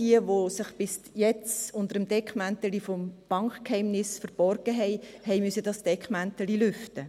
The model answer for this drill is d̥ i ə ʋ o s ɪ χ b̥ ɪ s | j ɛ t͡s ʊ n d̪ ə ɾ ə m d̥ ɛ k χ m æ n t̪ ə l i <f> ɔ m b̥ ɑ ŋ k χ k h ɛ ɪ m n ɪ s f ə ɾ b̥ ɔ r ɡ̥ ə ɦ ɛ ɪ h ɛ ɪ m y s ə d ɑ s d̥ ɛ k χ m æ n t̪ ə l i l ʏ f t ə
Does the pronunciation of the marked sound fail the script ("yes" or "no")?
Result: no